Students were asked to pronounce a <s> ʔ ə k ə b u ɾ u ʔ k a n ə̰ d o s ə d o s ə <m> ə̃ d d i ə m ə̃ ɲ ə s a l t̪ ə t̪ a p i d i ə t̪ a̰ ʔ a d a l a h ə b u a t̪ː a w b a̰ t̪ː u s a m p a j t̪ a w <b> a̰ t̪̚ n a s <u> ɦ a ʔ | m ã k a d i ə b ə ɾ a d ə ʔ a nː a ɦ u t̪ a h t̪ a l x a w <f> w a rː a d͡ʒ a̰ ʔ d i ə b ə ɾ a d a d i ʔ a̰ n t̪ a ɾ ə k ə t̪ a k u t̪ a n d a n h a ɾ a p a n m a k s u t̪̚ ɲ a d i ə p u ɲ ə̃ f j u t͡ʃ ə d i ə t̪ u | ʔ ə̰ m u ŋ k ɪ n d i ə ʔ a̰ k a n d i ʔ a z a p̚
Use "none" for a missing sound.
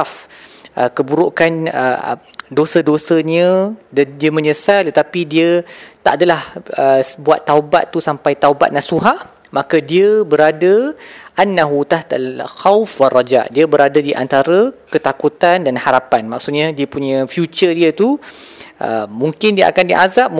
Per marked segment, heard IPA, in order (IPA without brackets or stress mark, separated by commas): f, ɲ, b, u, f